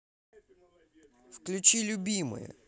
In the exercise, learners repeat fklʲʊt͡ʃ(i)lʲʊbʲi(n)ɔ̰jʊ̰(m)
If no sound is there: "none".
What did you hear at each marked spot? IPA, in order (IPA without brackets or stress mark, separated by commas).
i, m, none